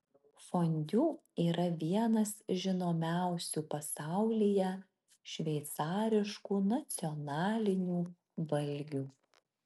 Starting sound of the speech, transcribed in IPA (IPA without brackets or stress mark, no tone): f